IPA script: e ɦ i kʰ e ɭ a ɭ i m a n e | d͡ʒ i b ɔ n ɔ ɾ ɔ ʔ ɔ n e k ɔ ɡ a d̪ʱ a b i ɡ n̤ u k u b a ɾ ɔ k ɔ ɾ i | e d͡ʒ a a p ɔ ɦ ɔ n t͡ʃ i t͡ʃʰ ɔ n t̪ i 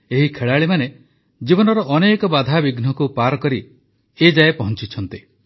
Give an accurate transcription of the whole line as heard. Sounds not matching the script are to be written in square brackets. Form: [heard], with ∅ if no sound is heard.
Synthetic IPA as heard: e ɦ i kʰ e ɭ a ɭ i m a n e | d͡ʒ i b ɔ n ɔ ɾ ɔ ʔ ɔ n e k ɔ [b] a d̪ʱ a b i ɡ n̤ [ɔ] k u [p] a ɾ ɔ k ɔ ɾ i | e d͡ʒ a [e] p ɔ ɦ ɔ n t͡ʃ i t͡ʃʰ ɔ n t̪ i

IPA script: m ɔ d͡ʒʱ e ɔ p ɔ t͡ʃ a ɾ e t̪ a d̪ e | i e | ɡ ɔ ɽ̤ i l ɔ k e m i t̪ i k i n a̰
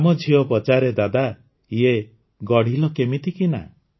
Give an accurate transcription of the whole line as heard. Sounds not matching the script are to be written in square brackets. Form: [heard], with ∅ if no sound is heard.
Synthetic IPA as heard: m ɔ d͡ʒʱ [i] ɔ p ɔ t͡ʃ a ɾ e [d̪] a d̪ [a] | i e | ɡ ɔ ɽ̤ i l ɔ k e m i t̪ i k i n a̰

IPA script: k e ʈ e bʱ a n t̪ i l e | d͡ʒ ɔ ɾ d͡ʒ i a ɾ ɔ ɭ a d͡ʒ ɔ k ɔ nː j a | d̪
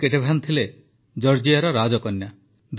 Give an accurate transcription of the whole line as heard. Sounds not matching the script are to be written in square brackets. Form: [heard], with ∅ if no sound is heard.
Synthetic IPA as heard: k e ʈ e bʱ a n [t̪ʰ] i l e | d͡ʒ ɔ ɾ d͡ʒ i a ɾ ɔ [ɾ] a d͡ʒ ɔ k ɔ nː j a | d̪

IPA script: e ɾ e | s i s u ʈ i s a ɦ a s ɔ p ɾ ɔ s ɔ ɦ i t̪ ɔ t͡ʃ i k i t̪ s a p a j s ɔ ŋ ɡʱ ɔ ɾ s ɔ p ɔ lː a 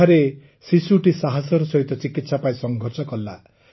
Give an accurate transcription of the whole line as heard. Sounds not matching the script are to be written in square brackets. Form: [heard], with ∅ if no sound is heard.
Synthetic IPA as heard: [a] ɾ e | s i s u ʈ i s a ɦ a s ɔ [∅] ɾ ɔ s ɔ ɦ i t̪ ɔ t͡ʃ i k i t̪ s a p a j s ɔ ŋ ɡʱ ɔ ɾ s ɔ [k] ɔ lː a

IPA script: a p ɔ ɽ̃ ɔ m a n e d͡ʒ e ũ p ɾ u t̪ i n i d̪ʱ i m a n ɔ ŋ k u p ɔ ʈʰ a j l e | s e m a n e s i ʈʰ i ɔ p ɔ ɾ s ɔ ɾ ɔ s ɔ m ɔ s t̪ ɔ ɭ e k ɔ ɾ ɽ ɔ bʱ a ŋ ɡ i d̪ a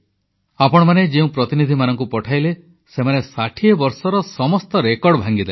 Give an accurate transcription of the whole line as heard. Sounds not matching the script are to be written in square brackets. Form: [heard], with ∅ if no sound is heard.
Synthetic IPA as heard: a p ɔ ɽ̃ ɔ m a n e d͡ʒ e ũ p ɾ [ɔ] t̪ i n i d̪ʱ i m a n ɔ ŋ k u p ɔ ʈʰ a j l e | s e m a n e s [a] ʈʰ i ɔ [b] ɔ ɾ s ɔ ɾ ɔ s ɔ m ɔ s t̪ ɔ [ɾ] e k ɔ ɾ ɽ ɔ bʱ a ŋ ɡ i d̪ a

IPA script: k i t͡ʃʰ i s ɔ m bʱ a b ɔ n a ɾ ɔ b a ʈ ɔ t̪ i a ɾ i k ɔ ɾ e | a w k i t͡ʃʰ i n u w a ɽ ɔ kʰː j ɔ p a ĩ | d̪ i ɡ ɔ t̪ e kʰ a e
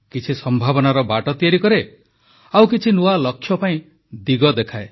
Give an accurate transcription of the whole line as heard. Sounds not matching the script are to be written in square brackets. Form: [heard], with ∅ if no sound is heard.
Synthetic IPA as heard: k i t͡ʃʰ i s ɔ m bʱ a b ɔ n a ɾ ɔ b a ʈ ɔ t̪ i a ɾ i k ɔ ɾ e | a w k i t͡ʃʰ i n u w a [l] ɔ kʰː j ɔ p a ĩ | d̪ i ɡ ɔ [d̪] e kʰ a e

